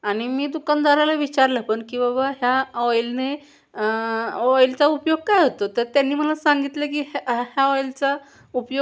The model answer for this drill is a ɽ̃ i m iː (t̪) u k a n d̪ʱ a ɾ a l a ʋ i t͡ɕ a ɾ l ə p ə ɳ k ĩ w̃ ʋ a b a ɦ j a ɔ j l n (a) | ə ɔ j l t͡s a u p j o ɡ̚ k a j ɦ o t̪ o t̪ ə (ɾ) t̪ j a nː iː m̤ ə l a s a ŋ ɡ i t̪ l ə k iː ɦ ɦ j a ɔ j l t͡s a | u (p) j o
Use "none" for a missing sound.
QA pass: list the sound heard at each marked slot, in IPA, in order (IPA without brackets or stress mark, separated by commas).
d̪, e, ɾ, p